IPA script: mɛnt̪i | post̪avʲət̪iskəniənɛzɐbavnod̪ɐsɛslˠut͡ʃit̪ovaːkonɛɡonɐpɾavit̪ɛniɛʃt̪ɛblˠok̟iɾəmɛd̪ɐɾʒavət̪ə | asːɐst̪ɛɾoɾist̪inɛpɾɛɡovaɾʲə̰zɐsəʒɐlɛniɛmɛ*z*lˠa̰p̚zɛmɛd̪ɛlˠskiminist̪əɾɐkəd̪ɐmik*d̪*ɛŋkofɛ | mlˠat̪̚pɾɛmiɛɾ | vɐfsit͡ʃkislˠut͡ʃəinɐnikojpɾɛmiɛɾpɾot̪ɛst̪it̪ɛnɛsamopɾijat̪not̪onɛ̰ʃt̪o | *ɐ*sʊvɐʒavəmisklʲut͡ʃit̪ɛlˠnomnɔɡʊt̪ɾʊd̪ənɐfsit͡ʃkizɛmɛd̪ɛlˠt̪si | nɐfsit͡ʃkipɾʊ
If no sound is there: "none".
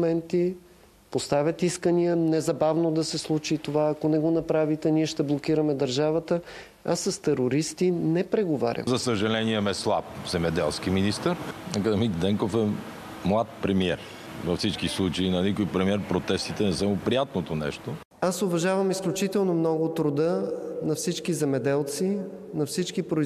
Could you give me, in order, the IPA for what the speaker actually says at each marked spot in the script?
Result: s, d̪, a

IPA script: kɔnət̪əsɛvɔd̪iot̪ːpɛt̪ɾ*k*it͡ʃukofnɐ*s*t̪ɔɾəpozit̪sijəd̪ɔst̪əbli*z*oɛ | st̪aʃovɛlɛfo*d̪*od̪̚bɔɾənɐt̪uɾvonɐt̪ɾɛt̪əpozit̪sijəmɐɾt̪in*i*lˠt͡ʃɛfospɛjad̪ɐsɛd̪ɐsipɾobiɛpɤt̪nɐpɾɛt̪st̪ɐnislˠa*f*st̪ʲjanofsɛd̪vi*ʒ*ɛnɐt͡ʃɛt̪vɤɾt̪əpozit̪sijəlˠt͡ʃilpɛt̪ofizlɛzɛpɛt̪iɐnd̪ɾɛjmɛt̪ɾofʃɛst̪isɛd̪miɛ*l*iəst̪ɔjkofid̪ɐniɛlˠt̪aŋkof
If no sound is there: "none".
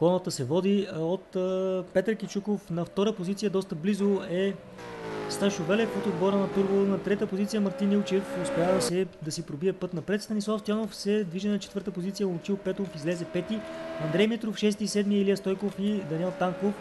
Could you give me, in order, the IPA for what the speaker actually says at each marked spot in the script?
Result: k, f, z, t̪, i, f, ʒ, l

